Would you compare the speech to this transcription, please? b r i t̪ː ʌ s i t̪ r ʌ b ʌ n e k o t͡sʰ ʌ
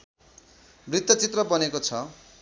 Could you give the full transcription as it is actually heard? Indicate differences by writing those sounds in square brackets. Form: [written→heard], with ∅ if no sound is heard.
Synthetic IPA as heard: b r i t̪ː ʌ [s→t͡s] i t̪ r ʌ b ʌ n e k o t͡sʰ ʌ